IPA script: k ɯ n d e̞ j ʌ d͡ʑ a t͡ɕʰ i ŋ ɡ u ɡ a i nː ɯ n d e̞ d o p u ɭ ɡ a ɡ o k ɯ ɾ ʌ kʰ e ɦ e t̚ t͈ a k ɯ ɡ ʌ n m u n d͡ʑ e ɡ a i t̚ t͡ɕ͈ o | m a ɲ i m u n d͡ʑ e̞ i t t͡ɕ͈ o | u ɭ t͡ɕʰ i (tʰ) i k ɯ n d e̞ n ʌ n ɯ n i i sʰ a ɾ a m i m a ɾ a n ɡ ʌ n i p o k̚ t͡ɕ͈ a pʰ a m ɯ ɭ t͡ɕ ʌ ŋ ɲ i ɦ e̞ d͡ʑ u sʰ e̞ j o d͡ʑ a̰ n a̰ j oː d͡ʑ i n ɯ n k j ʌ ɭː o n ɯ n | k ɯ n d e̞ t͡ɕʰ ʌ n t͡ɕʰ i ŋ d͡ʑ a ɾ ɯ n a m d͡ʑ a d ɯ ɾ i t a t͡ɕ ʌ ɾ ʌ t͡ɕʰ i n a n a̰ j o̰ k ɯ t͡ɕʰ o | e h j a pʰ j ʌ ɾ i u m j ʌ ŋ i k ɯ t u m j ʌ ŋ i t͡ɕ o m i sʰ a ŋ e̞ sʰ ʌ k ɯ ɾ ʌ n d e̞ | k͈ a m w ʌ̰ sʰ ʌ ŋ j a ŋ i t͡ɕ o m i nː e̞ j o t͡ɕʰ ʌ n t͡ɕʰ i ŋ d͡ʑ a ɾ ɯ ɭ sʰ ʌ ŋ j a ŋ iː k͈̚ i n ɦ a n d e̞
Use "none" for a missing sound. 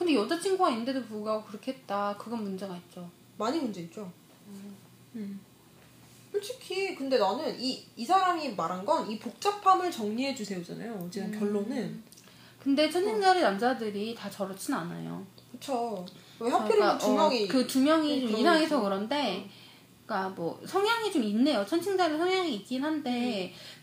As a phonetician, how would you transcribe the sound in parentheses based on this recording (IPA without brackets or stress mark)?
kʰ